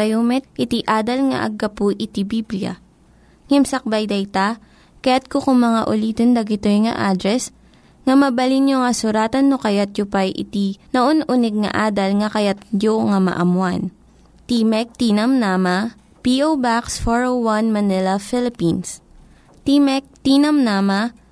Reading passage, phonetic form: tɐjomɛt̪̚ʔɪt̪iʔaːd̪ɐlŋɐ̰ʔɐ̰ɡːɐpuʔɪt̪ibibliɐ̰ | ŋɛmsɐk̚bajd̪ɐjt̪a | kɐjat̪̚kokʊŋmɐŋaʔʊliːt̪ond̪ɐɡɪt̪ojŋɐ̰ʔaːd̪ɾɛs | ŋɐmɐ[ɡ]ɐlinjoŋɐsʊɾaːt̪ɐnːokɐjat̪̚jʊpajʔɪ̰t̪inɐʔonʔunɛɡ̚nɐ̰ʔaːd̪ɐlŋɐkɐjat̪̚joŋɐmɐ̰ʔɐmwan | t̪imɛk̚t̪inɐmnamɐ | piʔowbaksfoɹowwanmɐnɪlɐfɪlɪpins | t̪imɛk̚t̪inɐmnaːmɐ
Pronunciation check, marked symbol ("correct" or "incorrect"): incorrect